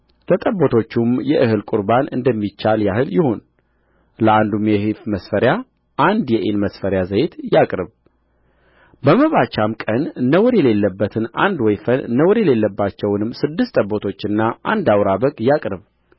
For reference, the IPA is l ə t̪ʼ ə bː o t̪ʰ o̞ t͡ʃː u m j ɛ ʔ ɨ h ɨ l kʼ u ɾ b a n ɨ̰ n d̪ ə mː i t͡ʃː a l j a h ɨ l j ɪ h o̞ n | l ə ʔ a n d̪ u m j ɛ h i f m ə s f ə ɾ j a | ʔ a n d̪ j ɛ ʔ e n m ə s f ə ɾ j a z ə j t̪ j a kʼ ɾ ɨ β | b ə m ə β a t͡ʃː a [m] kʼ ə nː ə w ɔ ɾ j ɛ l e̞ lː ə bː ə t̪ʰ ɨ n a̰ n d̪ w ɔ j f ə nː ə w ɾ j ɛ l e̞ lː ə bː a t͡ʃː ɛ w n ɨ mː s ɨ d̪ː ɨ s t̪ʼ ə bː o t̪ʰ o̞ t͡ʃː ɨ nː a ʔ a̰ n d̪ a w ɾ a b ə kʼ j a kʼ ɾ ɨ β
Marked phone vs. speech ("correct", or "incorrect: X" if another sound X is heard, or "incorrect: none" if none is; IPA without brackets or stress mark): correct